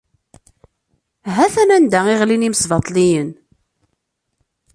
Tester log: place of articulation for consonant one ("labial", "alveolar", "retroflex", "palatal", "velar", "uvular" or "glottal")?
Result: glottal